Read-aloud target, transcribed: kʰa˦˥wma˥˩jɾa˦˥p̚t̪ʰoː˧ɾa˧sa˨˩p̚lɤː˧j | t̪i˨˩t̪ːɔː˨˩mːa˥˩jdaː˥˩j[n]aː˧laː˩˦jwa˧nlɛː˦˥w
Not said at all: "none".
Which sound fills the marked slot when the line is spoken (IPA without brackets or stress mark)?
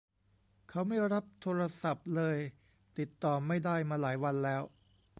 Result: m